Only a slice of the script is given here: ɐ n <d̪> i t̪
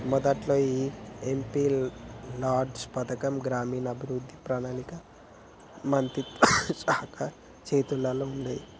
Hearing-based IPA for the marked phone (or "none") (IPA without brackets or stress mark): t̪